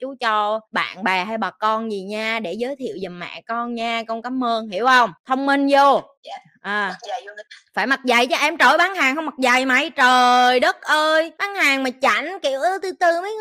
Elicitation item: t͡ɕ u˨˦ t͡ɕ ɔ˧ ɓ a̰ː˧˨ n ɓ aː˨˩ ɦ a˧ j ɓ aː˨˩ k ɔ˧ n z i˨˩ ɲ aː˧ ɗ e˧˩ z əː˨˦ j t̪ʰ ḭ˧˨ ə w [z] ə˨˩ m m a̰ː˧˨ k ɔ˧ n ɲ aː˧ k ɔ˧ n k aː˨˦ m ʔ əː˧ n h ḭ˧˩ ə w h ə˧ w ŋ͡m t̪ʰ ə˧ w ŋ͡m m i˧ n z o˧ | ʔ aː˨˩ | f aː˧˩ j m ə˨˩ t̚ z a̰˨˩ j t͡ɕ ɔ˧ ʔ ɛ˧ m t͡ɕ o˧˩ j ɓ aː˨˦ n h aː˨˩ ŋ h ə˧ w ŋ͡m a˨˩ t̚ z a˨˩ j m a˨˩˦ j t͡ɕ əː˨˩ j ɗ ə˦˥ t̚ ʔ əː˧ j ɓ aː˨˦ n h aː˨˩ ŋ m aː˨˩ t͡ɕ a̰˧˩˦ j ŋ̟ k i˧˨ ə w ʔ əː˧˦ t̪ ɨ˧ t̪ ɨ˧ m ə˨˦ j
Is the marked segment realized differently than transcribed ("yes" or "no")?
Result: no